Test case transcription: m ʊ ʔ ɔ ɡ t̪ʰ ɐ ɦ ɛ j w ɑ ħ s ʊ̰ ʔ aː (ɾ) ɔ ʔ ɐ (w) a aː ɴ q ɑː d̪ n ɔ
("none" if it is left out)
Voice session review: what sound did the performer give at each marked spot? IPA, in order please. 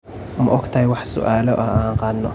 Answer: l, none

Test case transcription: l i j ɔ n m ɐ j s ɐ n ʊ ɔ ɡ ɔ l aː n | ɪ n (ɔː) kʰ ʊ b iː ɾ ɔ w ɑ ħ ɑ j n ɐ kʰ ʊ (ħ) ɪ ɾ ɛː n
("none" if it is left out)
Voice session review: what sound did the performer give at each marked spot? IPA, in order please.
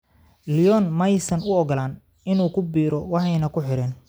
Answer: uː, ħ

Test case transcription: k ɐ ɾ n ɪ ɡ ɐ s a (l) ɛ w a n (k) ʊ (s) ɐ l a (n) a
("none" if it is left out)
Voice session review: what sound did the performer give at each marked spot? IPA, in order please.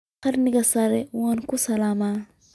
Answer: ɾ, k, s, m

